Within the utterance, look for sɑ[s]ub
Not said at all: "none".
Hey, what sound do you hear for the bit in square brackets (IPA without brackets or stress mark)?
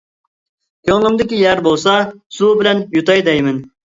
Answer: s